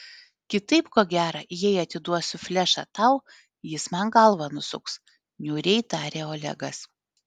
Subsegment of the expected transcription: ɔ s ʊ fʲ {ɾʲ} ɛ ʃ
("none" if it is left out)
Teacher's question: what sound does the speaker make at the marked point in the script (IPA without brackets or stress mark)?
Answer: lʲ